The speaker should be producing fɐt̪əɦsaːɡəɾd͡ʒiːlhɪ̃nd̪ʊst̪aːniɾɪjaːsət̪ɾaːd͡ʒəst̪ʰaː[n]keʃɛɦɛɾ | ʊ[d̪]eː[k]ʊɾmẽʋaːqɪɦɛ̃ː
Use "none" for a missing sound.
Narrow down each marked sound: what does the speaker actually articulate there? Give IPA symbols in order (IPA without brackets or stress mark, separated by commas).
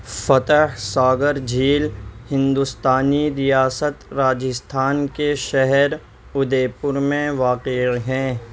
n, d̪, p